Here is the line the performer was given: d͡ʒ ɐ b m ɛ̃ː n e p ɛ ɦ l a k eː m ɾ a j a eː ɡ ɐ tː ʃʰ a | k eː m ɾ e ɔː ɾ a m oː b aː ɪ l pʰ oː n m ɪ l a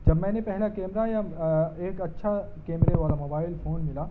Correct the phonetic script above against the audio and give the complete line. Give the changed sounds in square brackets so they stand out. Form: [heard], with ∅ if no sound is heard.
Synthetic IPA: d͡ʒ ɐ b m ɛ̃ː n e p ɛ ɦ l a k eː m ɾ a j a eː [k] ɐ tː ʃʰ a | k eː m ɾ e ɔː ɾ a m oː b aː ɪ l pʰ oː n m ɪ l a